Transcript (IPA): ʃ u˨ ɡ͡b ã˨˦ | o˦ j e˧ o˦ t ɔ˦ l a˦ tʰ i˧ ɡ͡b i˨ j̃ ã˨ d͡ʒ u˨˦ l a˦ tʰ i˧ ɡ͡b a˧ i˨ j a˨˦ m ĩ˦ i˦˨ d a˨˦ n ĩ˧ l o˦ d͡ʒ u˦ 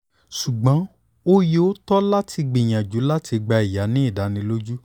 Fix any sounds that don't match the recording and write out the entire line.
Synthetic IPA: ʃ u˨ ɡ͡b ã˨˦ | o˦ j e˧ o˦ t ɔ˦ l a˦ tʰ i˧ ɡ͡b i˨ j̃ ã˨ d͡ʒ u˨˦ l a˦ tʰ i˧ ɡ͡b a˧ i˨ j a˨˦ n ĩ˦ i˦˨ d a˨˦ n ĩ˧ l o˦ d͡ʒ u˦